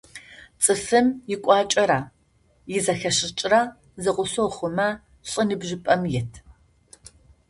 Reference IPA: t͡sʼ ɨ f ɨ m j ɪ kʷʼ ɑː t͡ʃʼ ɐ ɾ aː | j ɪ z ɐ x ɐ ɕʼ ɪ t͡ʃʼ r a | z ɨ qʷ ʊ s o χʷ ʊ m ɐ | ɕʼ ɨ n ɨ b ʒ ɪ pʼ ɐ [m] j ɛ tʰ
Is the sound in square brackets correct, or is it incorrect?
correct